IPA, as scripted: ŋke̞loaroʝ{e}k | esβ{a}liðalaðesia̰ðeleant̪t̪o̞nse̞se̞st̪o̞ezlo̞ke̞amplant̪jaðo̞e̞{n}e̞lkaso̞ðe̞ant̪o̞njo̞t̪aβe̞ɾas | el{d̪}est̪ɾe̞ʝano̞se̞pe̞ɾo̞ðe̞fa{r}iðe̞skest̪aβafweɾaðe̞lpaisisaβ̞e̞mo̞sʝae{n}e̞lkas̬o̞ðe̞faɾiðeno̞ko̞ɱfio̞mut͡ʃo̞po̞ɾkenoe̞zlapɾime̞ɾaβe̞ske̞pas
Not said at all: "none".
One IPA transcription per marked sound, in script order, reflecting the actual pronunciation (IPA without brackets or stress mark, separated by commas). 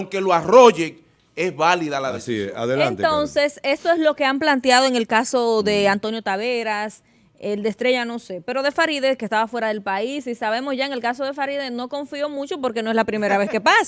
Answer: e, a, ŋ, d̪, ɾ, ŋ